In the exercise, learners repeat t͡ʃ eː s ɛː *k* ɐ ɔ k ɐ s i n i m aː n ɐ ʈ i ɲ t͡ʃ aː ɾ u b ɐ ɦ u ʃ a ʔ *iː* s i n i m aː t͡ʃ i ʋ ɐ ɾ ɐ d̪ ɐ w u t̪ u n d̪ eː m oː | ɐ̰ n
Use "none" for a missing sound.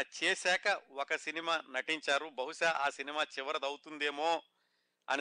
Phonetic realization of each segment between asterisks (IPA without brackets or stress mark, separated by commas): k, aː